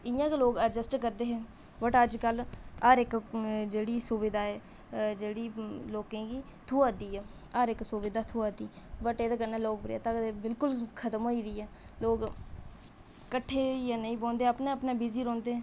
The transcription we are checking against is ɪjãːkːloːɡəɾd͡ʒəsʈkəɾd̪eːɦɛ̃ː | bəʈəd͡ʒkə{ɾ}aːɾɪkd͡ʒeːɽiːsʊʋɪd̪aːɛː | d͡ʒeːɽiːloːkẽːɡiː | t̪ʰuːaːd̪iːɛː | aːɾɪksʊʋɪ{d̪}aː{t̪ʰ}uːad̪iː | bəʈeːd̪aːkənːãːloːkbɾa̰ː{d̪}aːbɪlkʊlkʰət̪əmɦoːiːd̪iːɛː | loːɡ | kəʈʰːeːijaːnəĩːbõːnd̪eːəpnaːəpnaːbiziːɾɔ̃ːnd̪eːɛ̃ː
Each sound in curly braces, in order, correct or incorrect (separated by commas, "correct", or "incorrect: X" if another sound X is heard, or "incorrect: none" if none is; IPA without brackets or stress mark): incorrect: l, correct, correct, incorrect: t̪